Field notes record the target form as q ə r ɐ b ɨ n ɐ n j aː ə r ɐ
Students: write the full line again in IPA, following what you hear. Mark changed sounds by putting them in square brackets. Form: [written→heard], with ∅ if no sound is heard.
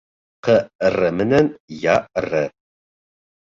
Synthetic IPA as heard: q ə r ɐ [b→m] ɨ n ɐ n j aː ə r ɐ